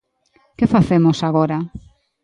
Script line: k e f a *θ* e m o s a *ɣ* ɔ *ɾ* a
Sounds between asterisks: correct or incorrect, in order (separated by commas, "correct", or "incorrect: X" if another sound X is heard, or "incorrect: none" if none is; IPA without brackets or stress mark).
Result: correct, correct, correct